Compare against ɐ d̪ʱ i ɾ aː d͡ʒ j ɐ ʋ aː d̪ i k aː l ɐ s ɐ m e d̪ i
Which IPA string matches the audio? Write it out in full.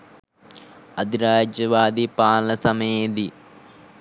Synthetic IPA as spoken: ɐ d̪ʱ i ɾ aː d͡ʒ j ɐ ʋ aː d̪ i p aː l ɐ s ɐ m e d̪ i